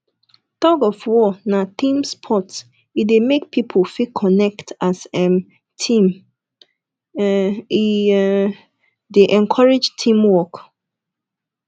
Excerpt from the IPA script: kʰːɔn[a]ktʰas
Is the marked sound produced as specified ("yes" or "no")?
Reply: no